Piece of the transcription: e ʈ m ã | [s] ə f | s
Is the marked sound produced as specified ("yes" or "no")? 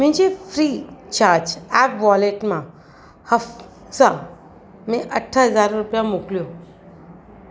no